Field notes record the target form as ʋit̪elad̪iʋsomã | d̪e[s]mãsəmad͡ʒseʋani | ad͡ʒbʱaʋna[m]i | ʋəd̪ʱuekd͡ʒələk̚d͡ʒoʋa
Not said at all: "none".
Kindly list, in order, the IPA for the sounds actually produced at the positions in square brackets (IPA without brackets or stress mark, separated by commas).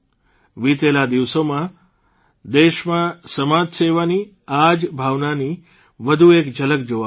ʃ, n